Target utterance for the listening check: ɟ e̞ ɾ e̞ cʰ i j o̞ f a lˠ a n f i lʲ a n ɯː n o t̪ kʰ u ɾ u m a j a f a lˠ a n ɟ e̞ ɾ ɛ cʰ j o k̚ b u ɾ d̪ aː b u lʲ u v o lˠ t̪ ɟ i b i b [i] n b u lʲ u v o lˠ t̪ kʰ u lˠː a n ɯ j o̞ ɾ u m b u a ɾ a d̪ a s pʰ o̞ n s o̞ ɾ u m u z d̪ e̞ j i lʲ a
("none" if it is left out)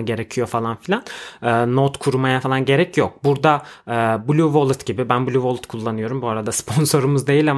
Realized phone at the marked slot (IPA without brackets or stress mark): æ